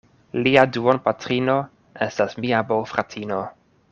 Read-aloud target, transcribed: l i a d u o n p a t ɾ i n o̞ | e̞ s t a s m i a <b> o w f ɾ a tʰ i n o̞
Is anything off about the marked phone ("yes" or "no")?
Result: no